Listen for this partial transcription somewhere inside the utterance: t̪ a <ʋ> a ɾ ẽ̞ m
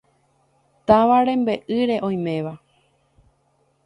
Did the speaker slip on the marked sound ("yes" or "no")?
no